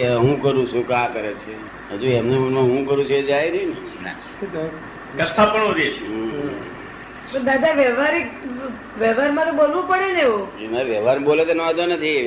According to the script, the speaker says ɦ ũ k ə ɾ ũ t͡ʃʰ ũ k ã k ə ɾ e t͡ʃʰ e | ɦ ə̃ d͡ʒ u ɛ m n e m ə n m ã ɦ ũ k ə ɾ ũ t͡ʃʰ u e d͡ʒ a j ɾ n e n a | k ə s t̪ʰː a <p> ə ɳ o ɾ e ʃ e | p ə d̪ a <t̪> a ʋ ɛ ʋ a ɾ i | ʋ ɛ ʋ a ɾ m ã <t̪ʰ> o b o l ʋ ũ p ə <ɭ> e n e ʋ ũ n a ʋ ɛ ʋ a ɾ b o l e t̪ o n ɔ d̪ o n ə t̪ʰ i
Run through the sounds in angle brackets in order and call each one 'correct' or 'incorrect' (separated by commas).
correct, incorrect, incorrect, incorrect